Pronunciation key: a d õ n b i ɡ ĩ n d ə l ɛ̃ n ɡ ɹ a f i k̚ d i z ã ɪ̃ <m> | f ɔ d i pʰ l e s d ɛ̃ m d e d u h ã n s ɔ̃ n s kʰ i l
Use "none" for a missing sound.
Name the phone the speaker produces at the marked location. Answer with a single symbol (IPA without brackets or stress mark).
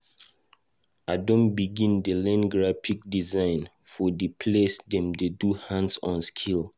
n